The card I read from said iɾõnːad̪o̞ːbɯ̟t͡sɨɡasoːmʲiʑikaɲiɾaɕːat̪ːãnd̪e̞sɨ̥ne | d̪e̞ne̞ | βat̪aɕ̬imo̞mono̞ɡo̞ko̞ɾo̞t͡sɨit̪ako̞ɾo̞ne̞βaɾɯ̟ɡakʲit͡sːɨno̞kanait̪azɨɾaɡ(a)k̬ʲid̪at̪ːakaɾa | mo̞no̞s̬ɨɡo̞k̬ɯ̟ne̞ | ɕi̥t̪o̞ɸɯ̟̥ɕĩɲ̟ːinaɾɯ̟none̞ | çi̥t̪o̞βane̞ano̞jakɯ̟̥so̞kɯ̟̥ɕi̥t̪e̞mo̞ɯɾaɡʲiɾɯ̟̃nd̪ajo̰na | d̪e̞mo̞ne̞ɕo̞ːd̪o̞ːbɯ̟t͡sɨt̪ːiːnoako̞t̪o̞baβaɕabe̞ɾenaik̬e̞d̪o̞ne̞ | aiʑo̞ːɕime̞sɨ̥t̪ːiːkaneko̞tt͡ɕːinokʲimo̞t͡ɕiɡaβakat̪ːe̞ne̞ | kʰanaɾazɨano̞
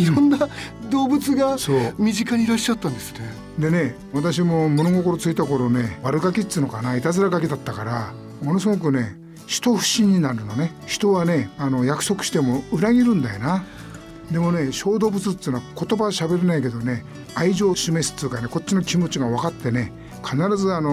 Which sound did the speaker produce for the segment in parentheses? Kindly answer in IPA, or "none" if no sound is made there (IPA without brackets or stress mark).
a